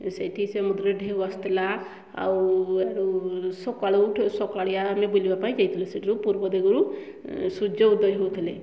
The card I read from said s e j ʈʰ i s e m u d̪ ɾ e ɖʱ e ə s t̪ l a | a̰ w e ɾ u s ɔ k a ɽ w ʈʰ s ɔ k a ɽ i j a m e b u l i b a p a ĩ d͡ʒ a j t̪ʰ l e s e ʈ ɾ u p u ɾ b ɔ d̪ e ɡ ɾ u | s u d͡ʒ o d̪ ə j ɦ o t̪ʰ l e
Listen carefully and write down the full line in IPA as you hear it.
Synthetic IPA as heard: s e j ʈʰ i s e m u d̪ ɾ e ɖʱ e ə s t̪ l a | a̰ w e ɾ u s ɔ k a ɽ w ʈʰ s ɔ k a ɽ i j a m e b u l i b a p a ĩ d͡ʒ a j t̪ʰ l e s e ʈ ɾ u p u ɾ b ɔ d̪ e ɡ ɾ u | s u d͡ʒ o d̪ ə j ɦ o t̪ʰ l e

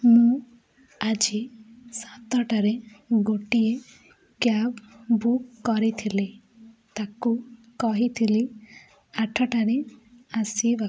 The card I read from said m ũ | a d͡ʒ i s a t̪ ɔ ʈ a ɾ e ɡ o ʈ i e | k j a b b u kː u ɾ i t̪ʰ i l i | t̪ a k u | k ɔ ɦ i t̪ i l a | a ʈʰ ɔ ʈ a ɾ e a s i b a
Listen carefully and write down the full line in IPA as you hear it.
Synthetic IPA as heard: m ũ | a d͡ʒ i s a t̪ ɔ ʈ a ɾ e ɡ o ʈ i e | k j a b b u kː ɔ ɾ i t̪ʰ i l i | t̪ a k u | k ɔ ɦ i t̪ʰ i l i | a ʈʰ ɔ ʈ a ɾ e a s i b a

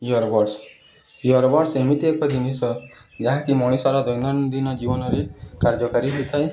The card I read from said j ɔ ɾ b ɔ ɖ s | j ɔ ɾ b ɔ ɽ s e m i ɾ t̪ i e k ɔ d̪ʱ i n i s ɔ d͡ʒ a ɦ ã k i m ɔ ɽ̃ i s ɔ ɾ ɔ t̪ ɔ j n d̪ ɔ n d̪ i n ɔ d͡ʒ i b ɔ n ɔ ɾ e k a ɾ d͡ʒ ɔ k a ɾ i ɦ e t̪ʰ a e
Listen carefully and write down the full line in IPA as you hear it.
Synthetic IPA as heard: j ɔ ɾ b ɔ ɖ s | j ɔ ɾ b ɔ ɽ s e m i t̪ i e k ɔ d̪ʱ i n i s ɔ d͡ʒ a ɦ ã k i m ɔ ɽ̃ i s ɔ ɾ ɔ d̪ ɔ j n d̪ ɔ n d̪ i n ɔ d͡ʒ i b ɔ n ɔ ɾ e k a ɾ d͡ʒ ɔ k a ɾ i ɦ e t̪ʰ a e

